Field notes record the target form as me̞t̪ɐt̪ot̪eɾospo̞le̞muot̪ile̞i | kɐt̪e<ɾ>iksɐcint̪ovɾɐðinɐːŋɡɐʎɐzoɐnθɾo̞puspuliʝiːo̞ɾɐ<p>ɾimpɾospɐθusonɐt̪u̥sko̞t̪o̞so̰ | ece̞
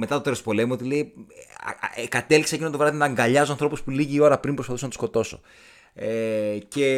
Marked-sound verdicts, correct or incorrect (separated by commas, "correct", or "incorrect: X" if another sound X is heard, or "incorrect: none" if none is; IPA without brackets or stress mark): incorrect: l, correct